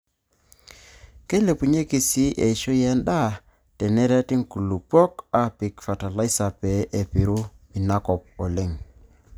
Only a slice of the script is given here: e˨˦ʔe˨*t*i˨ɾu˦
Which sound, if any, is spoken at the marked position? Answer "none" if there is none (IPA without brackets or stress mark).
p